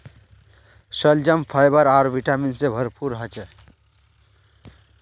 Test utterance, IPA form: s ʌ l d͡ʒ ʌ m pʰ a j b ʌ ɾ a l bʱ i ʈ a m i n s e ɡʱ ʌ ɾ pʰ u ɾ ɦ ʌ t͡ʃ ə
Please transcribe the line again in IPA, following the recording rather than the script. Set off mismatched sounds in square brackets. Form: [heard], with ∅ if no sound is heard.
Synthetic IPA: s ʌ l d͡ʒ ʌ m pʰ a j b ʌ ɾ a [ɾ] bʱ i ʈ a m i n s e [bʱ] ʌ ɾ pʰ u ɾ ɦ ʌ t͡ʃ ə